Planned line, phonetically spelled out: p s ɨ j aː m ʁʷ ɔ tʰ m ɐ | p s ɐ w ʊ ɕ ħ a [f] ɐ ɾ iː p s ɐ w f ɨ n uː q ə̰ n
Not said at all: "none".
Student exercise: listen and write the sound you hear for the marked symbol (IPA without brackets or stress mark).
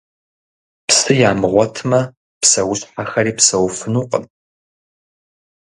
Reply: x